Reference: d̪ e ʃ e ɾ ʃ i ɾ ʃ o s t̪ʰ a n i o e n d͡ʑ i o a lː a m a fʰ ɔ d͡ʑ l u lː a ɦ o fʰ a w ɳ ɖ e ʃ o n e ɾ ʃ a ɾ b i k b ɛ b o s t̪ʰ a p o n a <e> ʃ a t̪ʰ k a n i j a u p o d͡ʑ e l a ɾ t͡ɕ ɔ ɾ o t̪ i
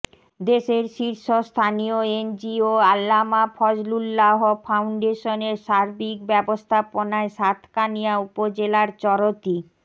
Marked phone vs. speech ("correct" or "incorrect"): correct